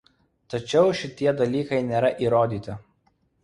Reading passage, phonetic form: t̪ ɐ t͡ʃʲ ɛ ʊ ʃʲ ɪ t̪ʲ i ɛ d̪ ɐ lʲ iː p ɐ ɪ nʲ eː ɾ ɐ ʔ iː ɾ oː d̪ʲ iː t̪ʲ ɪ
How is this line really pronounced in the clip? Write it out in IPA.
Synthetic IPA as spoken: t̪ ɐ t͡ʃʲ ɛ ʊ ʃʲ ɪ t̪ʲ i ɛ d̪ ɐ lʲ iː k ɐ ɪ nʲ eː ɾ ɐ ʔ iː ɾ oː d̪ʲ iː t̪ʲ ɪ